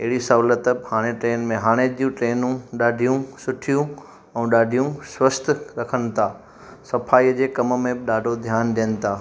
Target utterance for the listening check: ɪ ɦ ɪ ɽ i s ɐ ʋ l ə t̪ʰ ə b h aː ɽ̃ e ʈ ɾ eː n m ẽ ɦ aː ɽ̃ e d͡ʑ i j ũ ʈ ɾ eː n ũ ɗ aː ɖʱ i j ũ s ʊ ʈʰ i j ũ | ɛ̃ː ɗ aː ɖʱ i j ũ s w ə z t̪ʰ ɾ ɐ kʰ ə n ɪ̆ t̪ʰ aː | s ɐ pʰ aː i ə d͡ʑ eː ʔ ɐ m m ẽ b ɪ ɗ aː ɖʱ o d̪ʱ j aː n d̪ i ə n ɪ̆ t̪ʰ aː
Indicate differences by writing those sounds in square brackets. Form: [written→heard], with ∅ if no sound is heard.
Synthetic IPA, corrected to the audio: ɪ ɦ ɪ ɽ i s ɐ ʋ l ə [t̪ʰ→t̪] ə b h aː ɽ̃ e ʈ ɾ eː n m ẽ ɦ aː ɽ̃ e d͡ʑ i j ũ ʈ ɾ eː n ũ ɗ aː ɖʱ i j ũ s ʊ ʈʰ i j ũ | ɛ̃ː ɗ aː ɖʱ i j ũ s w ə [z→s] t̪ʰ ɾ ɐ kʰ ə n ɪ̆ t̪ʰ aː | s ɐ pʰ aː i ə d͡ʑ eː [ʔ→k] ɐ m m ẽ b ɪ ɗ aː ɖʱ o d̪ʱ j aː n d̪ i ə n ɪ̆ t̪ʰ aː